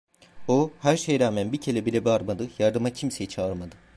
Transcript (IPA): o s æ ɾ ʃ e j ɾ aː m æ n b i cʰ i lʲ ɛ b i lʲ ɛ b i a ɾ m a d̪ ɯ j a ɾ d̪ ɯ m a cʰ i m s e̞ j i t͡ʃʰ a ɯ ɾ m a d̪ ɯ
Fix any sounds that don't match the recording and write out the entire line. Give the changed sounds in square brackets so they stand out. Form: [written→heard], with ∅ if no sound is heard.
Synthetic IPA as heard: o [s→h] æ ɾ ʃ e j ɾ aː m æ n b i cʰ [i→e] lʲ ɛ b i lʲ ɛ b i a ɾ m a d̪ ɯ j a ɾ d̪ ɯ m a cʰ i m s e̞ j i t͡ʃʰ a ɯ ɾ m a d̪ ɯ

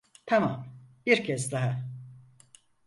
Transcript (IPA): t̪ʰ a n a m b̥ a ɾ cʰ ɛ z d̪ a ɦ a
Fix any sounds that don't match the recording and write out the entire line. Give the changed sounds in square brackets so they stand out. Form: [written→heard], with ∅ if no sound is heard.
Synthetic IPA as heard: t̪ʰ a [n→m] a m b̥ [a→i] ɾ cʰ ɛ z d̪ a ɦ a

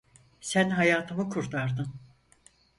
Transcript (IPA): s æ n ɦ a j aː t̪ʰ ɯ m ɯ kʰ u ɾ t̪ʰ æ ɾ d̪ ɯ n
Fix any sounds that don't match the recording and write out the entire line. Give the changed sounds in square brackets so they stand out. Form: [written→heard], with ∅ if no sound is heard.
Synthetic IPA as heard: s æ n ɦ a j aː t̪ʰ ɯ m ɯ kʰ u ɾ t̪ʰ [æ→a] ɾ d̪ ɯ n

